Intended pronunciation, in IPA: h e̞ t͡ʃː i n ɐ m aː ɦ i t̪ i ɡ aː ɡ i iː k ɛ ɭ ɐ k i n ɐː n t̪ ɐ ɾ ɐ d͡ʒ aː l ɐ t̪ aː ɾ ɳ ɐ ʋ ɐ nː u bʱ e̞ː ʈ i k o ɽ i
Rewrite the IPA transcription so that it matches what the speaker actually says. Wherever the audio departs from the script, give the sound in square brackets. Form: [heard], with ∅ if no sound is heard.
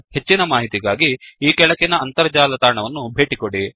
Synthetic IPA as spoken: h e̞ t͡ʃː i n ɐ m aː ɦ i t̪ i ɡ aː ɡ i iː k ɛ ɭ ɐ k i n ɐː n t̪ ɐ ɾ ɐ d͡ʒ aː l ɐ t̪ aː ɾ ɳ ɐ ʋ ɐ nː u bʱ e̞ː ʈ i k o ɽ i